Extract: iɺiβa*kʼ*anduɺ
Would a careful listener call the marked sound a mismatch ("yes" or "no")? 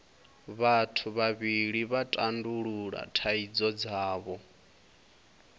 yes